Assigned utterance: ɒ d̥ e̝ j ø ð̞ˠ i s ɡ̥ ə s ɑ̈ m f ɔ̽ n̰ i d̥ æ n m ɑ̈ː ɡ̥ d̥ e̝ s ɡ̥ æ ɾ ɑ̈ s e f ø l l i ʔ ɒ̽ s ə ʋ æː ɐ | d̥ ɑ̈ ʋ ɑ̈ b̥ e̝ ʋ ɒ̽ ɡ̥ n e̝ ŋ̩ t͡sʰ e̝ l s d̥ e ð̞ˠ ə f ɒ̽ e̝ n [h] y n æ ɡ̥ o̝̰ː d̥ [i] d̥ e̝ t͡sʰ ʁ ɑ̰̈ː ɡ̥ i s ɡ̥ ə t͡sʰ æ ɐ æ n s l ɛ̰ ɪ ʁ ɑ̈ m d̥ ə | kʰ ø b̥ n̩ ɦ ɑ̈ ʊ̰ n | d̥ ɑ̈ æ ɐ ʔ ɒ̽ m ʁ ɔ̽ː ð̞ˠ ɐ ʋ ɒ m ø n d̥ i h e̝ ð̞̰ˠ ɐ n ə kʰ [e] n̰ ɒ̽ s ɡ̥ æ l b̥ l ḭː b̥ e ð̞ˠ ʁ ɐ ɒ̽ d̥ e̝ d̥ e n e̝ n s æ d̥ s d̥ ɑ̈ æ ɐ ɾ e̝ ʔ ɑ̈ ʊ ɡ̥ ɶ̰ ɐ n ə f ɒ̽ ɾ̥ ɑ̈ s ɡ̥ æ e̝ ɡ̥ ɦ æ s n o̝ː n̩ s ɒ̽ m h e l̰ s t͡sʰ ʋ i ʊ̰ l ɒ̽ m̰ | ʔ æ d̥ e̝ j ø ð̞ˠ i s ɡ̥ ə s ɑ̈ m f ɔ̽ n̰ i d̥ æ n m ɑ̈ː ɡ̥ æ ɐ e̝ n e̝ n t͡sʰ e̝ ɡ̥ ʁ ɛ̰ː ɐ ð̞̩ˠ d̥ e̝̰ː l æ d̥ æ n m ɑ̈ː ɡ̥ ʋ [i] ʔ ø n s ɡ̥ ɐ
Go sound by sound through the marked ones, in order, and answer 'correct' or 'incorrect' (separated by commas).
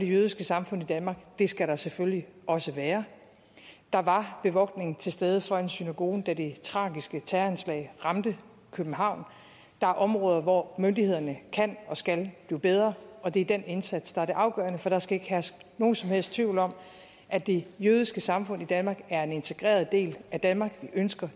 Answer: incorrect, incorrect, incorrect, correct